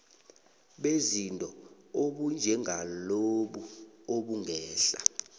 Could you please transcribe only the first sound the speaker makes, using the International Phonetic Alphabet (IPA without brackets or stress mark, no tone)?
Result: ɓ